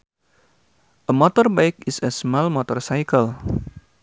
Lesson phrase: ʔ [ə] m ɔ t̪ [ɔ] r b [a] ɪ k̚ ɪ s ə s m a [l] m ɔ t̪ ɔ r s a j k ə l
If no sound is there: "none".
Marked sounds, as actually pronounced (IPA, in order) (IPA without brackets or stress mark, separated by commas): ə, ɔ, a, l